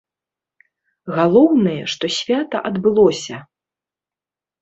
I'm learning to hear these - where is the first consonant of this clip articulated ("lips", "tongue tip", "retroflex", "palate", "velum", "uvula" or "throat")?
velum